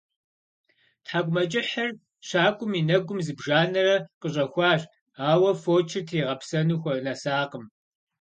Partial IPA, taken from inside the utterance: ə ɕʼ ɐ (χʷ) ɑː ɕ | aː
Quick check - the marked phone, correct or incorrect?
incorrect